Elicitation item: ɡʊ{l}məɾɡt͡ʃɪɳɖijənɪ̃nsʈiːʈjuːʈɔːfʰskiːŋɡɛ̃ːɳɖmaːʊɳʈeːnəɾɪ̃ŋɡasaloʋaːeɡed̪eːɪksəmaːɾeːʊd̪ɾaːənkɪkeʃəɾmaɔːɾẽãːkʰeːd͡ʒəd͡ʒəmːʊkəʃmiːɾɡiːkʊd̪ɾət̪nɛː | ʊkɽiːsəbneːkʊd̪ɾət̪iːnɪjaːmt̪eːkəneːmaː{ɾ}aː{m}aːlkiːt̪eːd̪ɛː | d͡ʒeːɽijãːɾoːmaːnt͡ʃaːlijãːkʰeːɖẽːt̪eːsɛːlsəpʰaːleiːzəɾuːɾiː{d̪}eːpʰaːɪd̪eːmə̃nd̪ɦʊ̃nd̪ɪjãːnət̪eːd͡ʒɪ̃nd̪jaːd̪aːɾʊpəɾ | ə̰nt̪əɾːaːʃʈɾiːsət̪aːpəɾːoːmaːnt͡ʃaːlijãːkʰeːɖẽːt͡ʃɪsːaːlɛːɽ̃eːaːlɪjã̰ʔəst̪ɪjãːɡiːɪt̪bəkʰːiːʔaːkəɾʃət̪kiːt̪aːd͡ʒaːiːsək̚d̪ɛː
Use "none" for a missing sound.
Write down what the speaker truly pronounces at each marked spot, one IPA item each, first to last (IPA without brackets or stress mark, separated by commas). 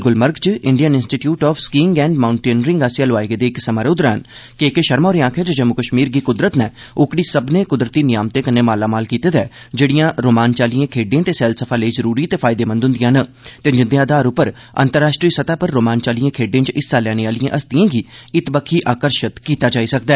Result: l, l, m, t̪